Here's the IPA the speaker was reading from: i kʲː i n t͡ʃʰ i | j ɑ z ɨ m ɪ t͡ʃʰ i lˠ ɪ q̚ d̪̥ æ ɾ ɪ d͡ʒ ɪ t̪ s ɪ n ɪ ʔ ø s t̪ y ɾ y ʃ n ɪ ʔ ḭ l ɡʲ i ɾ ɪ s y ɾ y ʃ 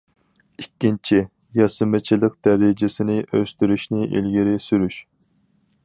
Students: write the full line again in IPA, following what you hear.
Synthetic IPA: i kʲː i n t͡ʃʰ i | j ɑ s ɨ m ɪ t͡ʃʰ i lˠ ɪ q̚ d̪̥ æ ɾ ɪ d͡ʒ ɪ s ɪ n ɪ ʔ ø s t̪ y ɾ y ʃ n ɪ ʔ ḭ l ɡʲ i ɾ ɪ s y ɾ y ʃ